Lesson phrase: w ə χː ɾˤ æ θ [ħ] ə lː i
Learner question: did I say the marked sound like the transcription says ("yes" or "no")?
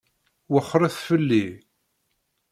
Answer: no